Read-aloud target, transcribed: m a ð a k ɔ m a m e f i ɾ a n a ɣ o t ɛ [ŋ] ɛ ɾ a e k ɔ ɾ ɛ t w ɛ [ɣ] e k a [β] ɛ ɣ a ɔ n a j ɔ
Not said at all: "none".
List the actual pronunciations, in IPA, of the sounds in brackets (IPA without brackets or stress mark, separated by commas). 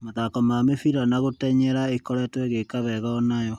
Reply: ɲ, ɣ, β